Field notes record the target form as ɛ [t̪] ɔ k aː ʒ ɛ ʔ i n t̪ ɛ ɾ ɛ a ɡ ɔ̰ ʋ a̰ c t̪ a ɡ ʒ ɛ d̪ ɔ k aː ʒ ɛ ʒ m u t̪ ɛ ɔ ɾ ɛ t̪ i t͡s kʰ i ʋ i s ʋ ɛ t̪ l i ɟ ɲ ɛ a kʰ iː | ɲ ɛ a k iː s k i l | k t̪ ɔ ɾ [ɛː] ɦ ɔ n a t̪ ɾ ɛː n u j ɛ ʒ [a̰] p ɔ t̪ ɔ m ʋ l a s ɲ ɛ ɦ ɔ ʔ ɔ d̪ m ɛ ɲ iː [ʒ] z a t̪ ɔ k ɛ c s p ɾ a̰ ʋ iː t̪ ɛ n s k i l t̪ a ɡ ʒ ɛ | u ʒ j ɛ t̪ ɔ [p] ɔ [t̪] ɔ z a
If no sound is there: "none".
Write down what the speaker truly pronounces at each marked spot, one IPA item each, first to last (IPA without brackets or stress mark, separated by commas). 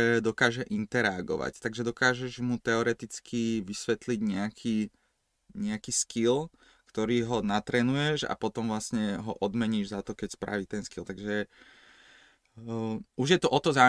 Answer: d̪, iː, a̰, ʒ, ʔ, t̪